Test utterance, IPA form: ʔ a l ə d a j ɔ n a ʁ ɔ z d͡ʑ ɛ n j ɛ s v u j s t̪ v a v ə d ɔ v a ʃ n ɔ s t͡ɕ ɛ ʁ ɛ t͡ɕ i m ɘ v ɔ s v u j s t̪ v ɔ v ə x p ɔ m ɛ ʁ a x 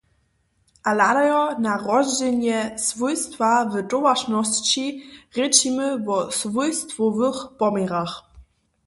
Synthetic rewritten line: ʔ a l a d a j ɔ n a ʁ ɔ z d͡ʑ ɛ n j ɛ s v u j s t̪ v a v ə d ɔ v a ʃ n ɔ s t͡ɕ i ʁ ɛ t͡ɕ i m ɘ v ɔ s v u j s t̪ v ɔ v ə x p ɔ m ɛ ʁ a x